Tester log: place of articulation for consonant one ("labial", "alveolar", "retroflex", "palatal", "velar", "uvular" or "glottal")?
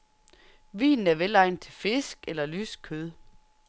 labial